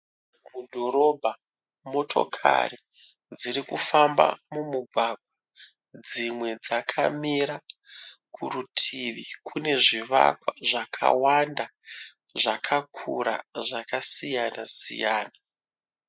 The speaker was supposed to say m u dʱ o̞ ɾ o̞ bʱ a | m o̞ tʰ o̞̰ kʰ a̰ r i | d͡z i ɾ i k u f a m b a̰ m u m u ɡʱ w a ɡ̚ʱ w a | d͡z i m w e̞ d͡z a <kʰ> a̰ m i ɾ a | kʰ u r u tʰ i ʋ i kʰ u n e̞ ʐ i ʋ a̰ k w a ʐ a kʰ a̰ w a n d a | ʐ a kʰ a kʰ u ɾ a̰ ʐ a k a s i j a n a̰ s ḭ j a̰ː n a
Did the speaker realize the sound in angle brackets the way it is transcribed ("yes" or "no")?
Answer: yes